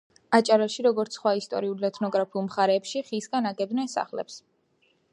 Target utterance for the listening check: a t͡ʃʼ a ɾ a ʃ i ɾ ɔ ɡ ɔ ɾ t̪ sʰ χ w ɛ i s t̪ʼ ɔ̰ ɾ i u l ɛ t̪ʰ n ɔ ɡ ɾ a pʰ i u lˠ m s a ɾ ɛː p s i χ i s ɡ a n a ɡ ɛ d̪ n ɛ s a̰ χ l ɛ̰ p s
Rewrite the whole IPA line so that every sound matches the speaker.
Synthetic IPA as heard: a t͡ʃʼ a ɾ a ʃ i ɾ ɔ ɡ ɔ ɾ t̪ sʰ χ w a i s t̪ʼ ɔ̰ ɾ i u l ɛ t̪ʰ n ɔ ɡ ɾ a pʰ i u lˠ m χ a ɾ ɛː p ʃ i χ i s ɡ a n a ɡ ɛ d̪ n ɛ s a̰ χ l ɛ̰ p s